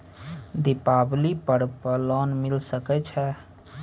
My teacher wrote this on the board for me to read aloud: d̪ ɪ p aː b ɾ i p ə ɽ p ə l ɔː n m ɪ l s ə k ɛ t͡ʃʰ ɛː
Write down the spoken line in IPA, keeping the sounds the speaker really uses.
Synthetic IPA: d̪ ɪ p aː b l i p ə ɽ p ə l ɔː n m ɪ l s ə k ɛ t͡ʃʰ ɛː